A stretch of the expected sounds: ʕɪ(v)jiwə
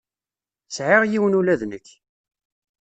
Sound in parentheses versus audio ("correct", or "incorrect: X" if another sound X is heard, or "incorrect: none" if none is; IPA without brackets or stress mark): incorrect: ʁ